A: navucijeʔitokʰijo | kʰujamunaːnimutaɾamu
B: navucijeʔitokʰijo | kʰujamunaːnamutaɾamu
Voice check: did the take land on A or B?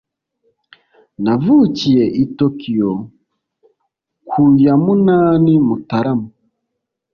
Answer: A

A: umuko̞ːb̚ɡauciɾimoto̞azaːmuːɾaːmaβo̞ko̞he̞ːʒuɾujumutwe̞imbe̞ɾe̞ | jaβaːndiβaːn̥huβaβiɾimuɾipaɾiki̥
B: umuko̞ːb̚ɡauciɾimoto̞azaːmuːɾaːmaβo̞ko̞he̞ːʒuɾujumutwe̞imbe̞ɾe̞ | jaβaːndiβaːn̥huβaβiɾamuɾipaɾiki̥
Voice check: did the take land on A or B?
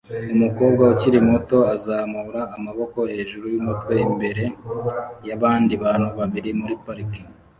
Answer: A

